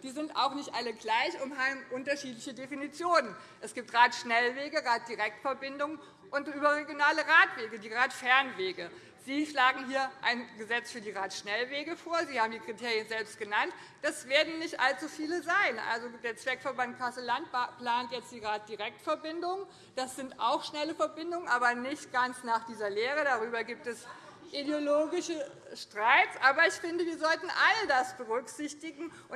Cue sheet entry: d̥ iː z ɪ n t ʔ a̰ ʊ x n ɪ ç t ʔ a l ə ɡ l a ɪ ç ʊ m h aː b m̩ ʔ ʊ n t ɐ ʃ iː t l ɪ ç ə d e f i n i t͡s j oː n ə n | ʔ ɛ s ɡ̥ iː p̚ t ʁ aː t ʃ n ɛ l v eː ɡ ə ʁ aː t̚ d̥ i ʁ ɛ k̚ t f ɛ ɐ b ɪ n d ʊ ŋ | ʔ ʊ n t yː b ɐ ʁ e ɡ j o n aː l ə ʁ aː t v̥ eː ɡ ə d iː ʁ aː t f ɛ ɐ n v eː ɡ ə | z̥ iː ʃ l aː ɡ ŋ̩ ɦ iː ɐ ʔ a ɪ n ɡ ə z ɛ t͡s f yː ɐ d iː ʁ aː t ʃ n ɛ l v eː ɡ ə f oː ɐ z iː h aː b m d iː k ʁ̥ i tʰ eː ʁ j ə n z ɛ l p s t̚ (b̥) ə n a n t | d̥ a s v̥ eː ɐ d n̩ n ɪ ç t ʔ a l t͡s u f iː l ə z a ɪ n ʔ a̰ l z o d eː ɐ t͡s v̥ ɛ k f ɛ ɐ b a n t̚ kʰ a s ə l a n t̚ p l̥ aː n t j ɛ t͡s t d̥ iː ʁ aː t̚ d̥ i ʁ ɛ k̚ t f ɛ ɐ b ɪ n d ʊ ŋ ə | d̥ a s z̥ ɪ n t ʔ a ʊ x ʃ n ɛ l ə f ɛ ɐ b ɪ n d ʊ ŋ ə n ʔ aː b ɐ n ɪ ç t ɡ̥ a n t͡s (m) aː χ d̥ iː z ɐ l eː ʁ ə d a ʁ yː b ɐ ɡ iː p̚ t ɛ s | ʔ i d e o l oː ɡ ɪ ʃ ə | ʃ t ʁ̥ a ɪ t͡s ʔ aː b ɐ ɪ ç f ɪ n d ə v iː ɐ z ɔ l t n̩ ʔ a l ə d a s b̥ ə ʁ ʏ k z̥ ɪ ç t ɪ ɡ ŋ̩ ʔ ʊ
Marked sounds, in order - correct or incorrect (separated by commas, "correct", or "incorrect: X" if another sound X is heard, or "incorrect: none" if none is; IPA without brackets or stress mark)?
incorrect: ɡ̥, incorrect: n